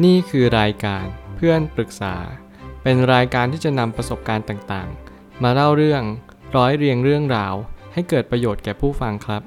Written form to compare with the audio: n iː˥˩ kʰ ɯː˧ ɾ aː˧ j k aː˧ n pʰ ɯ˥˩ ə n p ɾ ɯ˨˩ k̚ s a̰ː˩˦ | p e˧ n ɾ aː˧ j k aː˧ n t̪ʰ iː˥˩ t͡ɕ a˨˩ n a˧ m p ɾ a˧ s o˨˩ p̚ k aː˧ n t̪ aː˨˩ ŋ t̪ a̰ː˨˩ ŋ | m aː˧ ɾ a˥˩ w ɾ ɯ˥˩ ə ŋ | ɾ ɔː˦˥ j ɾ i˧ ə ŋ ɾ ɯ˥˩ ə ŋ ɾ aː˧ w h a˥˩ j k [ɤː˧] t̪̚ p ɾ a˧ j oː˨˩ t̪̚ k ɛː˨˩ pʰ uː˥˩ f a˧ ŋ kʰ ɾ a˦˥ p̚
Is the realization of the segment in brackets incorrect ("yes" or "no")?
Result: yes